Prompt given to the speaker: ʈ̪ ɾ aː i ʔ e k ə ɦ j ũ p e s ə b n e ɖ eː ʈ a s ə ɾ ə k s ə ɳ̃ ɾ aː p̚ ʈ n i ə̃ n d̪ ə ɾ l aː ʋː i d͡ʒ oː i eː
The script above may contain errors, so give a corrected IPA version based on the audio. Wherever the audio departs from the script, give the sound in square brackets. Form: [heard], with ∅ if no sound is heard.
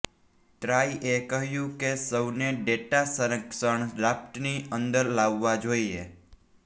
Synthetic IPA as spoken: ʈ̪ ɾ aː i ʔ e k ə ɦ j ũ [k] e s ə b n e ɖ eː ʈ a s ə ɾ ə k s ə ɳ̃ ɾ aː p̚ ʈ n i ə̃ n d̪ ə ɾ l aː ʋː [a] d͡ʒ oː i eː